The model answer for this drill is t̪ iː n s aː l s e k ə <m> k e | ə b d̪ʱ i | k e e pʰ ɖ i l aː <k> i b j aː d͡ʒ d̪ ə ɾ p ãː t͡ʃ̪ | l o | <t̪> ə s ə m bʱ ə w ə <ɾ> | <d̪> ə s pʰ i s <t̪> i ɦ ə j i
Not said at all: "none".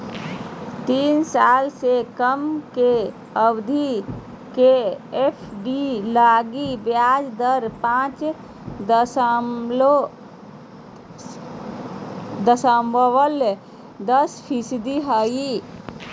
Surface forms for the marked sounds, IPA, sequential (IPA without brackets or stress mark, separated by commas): m, ɡ, d̪, l, d̪, d̪